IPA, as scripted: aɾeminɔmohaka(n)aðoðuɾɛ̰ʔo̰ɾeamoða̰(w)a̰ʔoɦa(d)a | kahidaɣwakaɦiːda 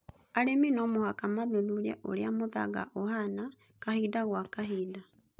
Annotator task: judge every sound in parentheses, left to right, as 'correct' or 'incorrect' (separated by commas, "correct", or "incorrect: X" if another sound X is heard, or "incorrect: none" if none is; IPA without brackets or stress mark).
incorrect: m, incorrect: ɣ, incorrect: n